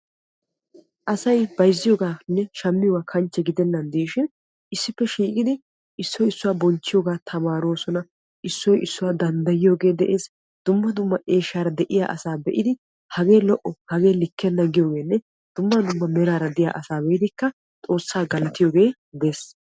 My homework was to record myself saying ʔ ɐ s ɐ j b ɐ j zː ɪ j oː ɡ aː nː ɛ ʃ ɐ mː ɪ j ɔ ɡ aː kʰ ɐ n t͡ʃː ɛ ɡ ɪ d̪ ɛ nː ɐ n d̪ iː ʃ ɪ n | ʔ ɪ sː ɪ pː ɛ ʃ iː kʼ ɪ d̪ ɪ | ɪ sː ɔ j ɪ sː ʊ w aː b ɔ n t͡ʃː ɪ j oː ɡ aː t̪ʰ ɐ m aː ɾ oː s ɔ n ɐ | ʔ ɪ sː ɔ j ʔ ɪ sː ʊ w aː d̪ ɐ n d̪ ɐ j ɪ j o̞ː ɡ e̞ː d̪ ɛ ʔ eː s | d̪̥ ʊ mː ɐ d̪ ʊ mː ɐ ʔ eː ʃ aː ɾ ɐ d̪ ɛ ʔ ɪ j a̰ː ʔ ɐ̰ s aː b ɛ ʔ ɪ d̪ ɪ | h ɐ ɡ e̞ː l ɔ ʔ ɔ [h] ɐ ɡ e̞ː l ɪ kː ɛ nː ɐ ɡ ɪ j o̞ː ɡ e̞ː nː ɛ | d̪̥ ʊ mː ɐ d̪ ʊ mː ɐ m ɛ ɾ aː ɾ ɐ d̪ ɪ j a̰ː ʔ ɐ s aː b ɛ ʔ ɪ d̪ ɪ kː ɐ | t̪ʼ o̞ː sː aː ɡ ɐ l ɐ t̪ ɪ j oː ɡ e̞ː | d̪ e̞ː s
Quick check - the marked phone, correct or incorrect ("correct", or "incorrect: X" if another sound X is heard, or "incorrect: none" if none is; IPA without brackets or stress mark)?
correct